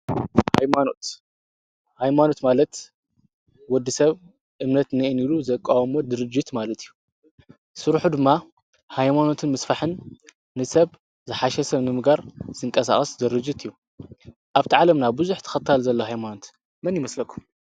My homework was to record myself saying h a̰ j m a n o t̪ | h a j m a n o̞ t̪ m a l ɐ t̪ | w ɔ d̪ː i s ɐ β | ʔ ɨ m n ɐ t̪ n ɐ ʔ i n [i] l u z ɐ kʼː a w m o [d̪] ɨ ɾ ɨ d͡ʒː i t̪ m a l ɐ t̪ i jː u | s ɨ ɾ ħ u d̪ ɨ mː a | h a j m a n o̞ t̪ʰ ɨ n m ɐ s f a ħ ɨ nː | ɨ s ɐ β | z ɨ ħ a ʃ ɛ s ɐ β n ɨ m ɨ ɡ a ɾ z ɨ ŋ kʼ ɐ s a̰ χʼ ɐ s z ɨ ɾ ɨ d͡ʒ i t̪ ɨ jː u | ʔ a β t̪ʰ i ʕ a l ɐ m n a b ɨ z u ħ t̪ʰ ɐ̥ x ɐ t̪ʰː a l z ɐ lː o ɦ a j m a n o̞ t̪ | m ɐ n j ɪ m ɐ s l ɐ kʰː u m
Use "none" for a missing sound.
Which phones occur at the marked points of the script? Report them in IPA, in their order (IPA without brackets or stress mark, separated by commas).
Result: i, d̪